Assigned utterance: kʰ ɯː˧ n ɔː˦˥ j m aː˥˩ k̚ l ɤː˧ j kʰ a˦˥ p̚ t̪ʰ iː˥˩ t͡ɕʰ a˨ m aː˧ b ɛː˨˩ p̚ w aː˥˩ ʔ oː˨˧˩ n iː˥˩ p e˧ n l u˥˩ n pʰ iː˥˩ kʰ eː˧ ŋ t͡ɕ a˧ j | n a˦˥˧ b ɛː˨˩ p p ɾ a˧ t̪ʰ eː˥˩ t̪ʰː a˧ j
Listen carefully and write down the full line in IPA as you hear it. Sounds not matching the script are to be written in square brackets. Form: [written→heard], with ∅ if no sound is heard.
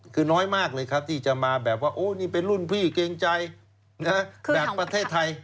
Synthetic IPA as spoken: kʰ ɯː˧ n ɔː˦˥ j m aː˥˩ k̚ l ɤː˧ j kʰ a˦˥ p̚ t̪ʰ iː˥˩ [t͡ɕʰ→t͡ɕ] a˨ m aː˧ b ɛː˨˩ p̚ w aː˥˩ ʔ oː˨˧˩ n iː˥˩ p e˧ n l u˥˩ n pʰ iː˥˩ [kʰ→k] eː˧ ŋ t͡ɕ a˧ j | n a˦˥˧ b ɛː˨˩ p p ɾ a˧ t̪ʰ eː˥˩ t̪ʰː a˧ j